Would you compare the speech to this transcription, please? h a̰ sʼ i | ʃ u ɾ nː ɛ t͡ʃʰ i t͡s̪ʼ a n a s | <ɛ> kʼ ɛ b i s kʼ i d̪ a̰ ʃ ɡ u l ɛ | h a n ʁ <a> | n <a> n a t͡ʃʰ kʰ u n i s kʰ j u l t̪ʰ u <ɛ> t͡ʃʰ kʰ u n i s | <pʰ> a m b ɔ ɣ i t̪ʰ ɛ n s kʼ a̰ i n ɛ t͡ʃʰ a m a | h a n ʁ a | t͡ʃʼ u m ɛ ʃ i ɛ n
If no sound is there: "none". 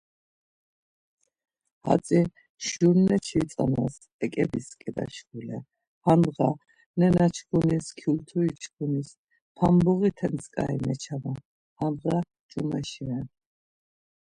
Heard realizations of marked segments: ɛ, a, ɛ, i, pʰ

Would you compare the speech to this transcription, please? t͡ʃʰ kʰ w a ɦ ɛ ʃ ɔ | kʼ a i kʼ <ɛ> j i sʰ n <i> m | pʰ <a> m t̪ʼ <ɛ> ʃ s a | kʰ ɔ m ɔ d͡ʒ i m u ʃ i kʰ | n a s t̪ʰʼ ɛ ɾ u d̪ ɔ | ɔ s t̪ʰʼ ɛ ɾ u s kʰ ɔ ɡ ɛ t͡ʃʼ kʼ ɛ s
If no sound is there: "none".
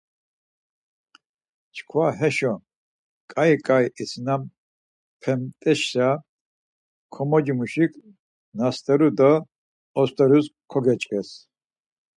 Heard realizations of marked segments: a, a, ɛ, ɛ

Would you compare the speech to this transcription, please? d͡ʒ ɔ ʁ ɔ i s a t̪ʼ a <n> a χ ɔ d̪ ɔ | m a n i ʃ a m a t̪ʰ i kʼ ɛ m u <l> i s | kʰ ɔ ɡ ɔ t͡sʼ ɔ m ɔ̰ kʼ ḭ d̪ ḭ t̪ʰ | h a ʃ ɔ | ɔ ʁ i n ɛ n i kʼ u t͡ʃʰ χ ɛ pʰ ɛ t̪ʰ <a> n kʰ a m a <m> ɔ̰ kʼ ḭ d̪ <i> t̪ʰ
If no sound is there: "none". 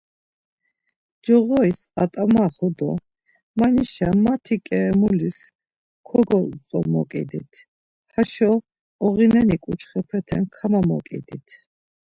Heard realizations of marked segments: m, l, ɛ, m, i

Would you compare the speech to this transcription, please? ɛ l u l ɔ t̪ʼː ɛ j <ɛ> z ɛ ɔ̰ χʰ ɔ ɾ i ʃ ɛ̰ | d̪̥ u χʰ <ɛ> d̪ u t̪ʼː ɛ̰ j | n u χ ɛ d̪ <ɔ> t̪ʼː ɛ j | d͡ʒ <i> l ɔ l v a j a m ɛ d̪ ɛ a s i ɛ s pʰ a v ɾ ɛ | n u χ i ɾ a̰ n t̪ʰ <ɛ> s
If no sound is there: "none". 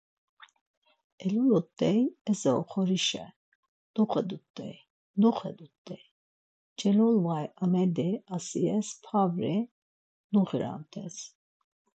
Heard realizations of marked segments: ɛ, ɛ, u, ɛ, ɛ

